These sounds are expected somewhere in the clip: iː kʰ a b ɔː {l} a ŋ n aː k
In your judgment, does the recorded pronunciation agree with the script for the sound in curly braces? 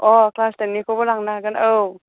yes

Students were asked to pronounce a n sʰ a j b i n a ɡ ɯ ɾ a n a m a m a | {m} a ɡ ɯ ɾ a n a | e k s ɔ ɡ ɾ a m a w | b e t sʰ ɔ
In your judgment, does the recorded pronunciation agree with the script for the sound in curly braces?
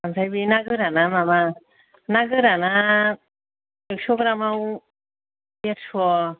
no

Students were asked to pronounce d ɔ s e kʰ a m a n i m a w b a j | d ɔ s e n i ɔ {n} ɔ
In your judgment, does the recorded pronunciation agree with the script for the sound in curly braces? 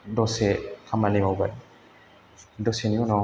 yes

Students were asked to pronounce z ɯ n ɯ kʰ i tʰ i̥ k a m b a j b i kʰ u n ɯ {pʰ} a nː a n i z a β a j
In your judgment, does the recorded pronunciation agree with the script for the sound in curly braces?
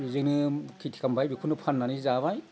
yes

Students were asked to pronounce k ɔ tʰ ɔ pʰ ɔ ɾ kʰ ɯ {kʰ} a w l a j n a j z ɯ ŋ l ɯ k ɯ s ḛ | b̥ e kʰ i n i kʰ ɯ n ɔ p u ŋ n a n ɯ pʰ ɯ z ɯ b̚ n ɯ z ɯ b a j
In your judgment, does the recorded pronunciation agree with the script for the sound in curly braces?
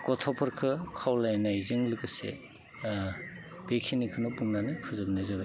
yes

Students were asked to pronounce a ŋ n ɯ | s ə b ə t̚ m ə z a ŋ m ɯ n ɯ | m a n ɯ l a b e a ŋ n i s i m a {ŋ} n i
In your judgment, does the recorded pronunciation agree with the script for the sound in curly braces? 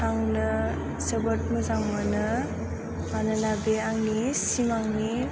yes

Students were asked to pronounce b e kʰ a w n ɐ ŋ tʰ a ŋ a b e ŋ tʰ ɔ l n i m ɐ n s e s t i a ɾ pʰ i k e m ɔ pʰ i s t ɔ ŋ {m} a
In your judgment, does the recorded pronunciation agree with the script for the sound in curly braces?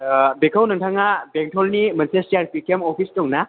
no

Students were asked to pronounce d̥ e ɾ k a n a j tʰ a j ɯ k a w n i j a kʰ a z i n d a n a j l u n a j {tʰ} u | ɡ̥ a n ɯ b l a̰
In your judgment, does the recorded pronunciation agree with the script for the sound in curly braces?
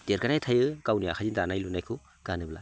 no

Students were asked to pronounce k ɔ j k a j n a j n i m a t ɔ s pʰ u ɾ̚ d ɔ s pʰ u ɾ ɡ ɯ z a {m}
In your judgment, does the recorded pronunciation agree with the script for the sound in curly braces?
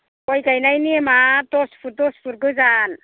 no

